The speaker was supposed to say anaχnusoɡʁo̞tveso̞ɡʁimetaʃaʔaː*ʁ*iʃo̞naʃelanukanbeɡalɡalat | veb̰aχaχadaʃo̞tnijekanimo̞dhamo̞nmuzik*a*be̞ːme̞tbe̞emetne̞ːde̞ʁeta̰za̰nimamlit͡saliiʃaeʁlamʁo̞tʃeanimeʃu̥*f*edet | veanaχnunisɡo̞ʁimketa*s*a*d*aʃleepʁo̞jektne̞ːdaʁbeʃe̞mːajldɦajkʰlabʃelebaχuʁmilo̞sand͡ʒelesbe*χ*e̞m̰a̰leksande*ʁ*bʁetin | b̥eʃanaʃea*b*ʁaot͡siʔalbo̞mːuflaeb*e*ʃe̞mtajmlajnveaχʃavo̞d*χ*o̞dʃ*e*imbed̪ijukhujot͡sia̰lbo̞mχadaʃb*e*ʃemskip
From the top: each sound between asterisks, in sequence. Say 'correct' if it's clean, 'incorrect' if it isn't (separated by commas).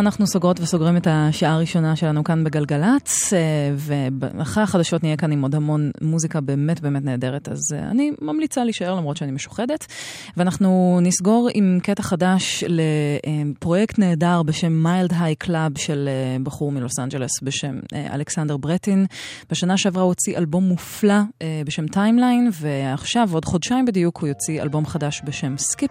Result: correct, correct, incorrect, incorrect, correct, incorrect, correct, incorrect, correct, correct, incorrect, correct